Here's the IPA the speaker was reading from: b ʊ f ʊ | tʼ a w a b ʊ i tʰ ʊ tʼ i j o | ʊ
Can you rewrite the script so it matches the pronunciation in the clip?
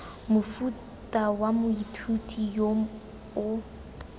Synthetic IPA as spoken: m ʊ f u | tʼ a w a m ʊ i tʰ u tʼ i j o | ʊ